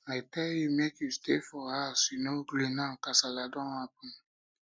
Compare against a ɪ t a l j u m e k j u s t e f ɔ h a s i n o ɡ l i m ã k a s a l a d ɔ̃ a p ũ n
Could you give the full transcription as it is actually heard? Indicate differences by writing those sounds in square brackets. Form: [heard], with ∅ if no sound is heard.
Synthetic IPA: a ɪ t [ɛ] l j u m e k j u s t e f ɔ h a s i n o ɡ l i [n] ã k a s a l a d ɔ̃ a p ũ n